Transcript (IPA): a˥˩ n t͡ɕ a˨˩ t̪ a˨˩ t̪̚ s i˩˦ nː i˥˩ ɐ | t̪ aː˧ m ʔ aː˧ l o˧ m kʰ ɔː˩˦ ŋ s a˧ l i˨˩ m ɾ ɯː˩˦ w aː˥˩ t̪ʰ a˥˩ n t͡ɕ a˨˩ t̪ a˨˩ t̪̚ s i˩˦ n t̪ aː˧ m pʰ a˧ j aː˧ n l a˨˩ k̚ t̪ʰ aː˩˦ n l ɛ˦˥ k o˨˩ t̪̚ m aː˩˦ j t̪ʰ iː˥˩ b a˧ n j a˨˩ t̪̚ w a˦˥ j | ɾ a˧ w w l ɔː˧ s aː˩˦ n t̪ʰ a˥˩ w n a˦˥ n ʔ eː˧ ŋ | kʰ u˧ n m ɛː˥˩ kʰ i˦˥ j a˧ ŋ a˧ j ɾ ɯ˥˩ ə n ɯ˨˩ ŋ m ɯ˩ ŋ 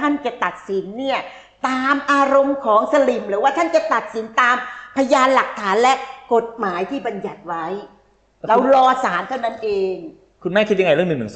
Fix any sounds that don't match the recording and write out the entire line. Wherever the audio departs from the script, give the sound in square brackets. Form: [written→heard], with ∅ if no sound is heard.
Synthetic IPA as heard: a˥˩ n t͡ɕ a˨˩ t̪ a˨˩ t̪̚ s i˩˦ nː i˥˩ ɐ | t̪ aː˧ m ʔ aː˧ [l→ɾ] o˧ m kʰ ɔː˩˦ ŋ s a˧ l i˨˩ m ɾ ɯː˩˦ w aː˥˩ t̪ʰ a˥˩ n t͡ɕ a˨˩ t̪ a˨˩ t̪̚ s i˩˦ n t̪ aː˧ m pʰ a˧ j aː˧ n l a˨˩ k̚ t̪ʰ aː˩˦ n l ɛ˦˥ k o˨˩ t̪̚ m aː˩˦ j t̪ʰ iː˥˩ b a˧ n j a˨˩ t̪̚ w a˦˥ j | ɾ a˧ w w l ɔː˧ s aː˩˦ n t̪ʰ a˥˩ w n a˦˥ n ʔ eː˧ ŋ | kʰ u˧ n m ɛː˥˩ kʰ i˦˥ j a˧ ŋ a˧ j ɾ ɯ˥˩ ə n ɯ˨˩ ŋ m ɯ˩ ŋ